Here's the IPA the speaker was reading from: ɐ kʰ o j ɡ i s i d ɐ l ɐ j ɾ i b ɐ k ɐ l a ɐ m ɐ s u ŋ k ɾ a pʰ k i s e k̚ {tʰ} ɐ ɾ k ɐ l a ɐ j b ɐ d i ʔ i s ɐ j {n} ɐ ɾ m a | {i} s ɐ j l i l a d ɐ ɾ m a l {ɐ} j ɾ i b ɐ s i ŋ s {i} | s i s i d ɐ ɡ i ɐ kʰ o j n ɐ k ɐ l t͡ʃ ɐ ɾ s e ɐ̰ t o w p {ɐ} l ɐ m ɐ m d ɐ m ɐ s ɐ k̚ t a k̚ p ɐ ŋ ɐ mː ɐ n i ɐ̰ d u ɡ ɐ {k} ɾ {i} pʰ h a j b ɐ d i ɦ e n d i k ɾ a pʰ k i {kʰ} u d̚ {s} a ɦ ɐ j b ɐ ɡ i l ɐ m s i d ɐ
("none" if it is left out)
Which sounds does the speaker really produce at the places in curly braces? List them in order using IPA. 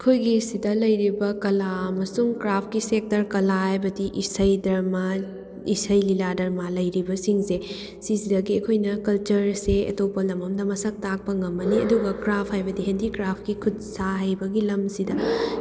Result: t, d, i, ɐ, e, ɐ, k, a, kʰ, s

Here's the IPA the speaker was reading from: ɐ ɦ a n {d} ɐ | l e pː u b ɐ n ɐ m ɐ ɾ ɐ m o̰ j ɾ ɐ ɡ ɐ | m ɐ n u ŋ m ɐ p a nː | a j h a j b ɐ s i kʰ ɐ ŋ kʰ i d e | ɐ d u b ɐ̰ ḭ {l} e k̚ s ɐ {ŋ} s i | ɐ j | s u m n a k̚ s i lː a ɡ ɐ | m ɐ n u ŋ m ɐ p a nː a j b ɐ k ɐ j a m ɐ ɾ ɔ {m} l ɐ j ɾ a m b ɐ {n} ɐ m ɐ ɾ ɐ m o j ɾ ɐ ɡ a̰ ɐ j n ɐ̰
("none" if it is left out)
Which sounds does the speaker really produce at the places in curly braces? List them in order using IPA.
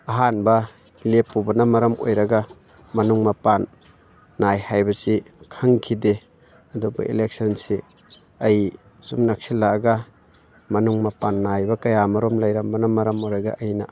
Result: b, l, n, m, n

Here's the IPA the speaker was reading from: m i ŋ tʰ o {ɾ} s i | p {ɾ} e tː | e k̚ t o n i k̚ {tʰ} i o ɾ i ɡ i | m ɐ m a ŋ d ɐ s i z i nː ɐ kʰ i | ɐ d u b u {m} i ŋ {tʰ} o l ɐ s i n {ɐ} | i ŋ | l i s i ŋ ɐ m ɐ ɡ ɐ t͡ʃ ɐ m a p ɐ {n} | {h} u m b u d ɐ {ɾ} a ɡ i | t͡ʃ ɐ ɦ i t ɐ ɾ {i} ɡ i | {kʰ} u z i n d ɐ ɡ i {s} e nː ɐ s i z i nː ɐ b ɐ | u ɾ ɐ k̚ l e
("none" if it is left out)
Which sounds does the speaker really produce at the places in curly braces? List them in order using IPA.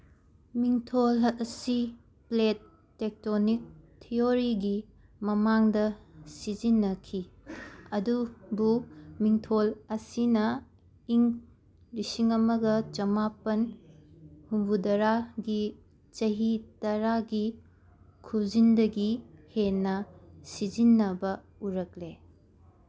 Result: l, l, tʰ, m, tʰ, ɐ, n, h, ɾ, a, kʰ, h

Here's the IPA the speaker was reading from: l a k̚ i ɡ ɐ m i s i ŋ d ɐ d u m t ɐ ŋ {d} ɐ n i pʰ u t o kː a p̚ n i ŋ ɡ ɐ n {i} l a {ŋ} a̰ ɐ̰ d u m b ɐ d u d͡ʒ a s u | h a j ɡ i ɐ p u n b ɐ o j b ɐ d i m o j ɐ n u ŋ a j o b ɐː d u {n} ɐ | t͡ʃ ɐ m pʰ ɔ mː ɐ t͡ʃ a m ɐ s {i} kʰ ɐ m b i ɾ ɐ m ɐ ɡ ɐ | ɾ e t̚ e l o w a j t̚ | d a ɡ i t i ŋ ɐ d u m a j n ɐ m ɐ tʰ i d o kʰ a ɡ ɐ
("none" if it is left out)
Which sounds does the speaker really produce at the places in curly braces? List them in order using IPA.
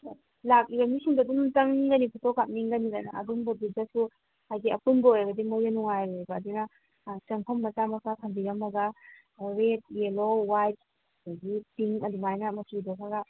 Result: ɡ, i, n, n, a

